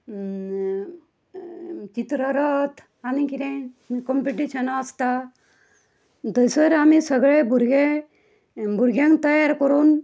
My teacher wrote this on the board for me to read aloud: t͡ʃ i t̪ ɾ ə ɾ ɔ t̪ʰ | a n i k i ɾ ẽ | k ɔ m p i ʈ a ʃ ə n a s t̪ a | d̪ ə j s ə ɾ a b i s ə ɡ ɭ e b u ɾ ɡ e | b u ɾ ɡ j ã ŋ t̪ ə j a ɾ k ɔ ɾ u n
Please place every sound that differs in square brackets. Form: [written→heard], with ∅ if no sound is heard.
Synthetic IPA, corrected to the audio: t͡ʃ i t̪ ɾ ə ɾ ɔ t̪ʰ | a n i k i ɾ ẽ | k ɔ m p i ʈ [a→i] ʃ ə n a s t̪ a | d̪ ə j s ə ɾ a [b→m] i s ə ɡ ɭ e b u ɾ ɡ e | b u ɾ ɡ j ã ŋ t̪ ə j a ɾ k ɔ ɾ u n

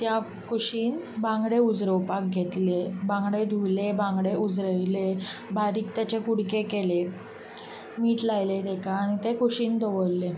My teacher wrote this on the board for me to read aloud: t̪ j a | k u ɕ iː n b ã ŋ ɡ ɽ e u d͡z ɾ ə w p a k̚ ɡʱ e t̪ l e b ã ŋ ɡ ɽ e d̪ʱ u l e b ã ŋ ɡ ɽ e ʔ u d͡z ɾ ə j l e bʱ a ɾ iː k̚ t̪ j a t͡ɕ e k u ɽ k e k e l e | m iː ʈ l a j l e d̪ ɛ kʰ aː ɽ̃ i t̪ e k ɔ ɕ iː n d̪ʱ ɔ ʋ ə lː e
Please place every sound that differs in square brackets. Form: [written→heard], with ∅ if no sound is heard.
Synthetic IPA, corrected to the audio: t̪ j a | k u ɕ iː n b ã ŋ ɡ ɽ e u d͡z ɾ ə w p a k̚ ɡʱ e t̪ l e b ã ŋ ɡ ɽ e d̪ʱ u l e b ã ŋ ɡ ɽ e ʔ u d͡z ɾ ə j l e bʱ a ɾ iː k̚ t̪ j a t͡ɕ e k u ɽ k e k e l e | m iː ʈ l a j l e d̪ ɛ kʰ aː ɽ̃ i t̪ e k [ɔ→u] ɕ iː n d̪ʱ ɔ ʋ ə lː e

